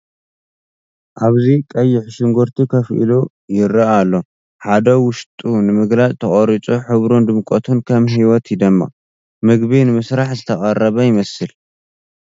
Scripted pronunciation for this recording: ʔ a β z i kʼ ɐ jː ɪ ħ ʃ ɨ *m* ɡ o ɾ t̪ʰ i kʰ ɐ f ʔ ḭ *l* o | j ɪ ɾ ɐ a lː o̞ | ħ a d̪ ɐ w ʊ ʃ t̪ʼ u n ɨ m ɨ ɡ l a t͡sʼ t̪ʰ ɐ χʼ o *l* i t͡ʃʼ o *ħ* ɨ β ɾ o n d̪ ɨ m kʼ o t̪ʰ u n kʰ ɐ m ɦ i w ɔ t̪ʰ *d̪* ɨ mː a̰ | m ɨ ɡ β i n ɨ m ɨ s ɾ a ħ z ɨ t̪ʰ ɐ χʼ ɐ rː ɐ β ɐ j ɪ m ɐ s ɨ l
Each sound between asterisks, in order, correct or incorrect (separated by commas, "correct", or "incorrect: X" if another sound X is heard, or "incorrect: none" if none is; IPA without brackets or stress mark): incorrect: ŋ, correct, incorrect: ɾ, correct, correct